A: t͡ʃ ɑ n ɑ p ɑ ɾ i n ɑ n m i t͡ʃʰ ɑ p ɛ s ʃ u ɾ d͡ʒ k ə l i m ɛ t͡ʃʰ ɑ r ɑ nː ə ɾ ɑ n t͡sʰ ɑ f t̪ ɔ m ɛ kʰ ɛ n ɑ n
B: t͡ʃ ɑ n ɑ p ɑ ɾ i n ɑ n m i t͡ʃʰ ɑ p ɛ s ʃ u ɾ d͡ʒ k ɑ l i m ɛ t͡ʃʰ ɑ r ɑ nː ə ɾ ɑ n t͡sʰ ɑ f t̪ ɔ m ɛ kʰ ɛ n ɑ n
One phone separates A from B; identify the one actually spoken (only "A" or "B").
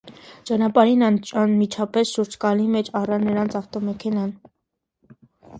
B